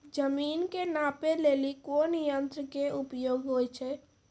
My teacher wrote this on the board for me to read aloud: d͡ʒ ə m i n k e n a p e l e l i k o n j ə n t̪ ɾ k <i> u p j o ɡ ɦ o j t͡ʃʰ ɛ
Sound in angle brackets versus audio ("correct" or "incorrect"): incorrect